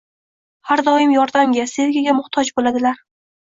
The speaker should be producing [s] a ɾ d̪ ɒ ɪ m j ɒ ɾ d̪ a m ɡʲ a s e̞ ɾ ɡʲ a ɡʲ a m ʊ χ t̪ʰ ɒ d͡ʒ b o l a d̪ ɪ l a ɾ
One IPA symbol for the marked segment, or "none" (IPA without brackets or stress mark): h